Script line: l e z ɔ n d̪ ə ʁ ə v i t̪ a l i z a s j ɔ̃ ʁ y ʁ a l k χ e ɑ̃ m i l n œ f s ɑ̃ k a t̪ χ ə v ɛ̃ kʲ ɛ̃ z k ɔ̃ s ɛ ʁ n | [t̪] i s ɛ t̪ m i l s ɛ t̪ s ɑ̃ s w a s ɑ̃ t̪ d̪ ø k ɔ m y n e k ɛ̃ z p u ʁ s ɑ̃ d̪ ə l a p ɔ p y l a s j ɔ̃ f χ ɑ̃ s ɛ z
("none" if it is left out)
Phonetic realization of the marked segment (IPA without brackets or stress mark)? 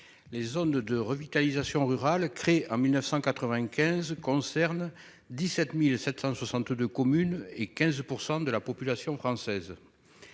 d̪